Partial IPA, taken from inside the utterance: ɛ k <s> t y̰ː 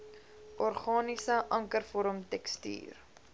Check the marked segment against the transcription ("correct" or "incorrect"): correct